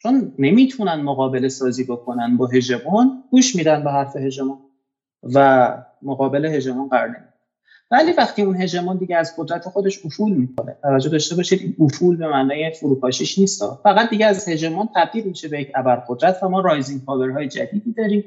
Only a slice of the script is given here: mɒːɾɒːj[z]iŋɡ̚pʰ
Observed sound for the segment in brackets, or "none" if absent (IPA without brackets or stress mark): z